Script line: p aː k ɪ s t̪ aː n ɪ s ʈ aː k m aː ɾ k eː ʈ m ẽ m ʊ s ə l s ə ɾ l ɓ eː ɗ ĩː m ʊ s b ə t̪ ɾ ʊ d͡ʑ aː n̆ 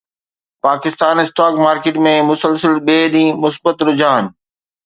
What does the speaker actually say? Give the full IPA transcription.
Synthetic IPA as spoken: p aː k ɪ s t̪ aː n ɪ s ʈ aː k m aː ɾ k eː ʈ m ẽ m ʊ s ə l s ə l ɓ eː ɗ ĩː m ʊ s b ə t̪ ɾ ʊ d͡ʑ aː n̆